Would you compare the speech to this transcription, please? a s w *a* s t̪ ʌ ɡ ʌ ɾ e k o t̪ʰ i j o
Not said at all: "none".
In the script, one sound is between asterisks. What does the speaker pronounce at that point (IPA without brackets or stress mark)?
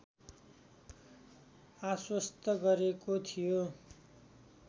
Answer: ʌ